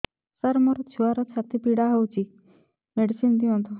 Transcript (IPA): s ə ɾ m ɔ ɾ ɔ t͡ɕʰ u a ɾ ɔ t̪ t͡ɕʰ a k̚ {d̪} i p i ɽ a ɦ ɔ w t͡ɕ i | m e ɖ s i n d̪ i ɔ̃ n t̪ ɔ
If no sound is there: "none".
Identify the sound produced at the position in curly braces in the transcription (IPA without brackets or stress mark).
t̪